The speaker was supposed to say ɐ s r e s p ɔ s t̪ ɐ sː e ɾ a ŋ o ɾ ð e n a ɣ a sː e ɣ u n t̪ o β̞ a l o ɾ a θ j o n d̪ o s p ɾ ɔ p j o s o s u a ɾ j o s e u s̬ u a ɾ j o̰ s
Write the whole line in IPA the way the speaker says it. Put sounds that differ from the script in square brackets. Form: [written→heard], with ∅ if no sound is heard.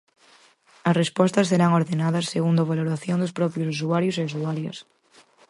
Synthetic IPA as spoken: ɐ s r e s p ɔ s t̪ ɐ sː e ɾ a ŋ o ɾ ð e n a [ɣ→ð] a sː e ɣ u n [t̪→d̪] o β̞ a l o ɾ a θ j o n d̪ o s p ɾ ɔ p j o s [o→u] s u a ɾ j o s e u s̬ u a ɾ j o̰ s